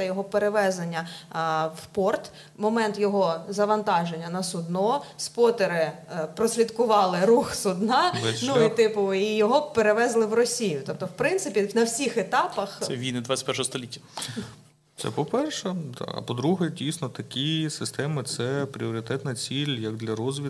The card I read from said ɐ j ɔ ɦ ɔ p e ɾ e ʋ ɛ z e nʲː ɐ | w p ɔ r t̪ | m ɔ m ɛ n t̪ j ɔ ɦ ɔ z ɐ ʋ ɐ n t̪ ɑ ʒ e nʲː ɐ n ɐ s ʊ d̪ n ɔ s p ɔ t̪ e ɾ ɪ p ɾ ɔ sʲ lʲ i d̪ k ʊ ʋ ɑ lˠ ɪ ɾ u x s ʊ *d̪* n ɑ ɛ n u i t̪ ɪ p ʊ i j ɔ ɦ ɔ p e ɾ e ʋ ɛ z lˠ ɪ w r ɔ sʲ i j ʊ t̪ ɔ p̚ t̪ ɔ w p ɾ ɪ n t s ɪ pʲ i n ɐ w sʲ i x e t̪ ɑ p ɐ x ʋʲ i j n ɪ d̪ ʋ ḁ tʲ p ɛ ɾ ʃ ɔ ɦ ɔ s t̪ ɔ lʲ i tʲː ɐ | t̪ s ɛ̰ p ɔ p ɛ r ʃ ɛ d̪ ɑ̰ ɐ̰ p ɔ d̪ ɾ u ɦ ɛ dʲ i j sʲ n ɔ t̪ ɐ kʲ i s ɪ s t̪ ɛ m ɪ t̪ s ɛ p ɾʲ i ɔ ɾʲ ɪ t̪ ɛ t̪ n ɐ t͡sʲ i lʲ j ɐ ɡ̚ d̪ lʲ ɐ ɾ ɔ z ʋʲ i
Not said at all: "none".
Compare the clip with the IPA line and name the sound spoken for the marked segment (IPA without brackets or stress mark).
d̪